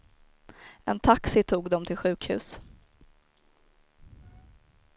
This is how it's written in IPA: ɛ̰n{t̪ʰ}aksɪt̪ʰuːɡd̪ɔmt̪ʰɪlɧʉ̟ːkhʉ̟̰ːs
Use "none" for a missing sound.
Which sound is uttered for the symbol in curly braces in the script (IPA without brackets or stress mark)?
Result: t̪ʰ